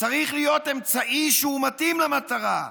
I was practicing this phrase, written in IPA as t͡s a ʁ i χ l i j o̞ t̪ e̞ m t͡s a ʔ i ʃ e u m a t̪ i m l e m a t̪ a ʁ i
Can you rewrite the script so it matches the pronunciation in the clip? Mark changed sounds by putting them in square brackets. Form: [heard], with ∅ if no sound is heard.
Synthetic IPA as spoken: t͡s a ʁ i χ l i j o̞ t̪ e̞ m t͡s a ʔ i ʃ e u m a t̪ i m l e m a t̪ a ʁ [a]